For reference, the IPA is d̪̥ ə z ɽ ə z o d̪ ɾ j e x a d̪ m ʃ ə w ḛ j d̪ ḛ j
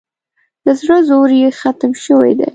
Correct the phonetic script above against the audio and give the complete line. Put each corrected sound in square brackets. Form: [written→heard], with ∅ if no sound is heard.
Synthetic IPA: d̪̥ ə z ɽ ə z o [d̪→∅] ɾ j e x a [d̪→t̪] m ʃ ə w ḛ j d̪ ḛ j